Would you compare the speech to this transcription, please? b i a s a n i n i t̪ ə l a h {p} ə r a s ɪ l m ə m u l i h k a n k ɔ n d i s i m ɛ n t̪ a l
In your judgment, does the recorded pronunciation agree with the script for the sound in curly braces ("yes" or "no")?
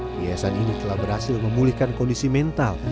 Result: no